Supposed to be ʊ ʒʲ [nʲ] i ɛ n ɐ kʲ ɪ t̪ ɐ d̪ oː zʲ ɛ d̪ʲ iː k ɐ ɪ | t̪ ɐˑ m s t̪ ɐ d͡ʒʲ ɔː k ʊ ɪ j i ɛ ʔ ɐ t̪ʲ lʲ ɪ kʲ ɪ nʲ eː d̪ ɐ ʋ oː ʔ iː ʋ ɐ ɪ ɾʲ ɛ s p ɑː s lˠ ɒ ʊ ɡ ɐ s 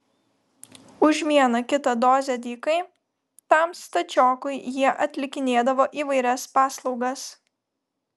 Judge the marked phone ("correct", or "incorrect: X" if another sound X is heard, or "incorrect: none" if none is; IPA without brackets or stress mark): incorrect: mʲ